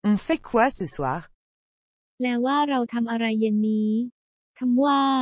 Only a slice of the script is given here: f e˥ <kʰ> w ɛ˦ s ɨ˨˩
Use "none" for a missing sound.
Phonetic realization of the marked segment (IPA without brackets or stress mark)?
kʰ